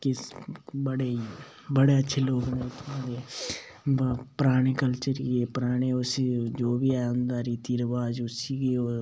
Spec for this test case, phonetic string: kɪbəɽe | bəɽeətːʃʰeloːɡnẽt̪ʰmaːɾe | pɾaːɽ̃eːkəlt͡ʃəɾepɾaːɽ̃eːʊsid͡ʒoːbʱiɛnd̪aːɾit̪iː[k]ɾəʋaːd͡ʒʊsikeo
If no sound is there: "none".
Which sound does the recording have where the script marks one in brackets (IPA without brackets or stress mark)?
none